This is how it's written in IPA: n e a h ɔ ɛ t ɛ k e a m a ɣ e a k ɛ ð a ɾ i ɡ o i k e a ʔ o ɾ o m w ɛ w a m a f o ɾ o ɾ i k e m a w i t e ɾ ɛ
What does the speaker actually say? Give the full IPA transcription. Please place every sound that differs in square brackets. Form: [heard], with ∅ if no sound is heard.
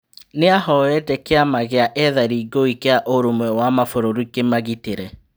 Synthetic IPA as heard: n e a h ɔ ɛ t ɛ k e a m a ɣ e a [ʔ] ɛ ð a ɾ i ɡ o i k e a ʔ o ɾ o m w ɛ w a m a f o ɾ o ɾ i k e m a [ɣ] i t e ɾ ɛ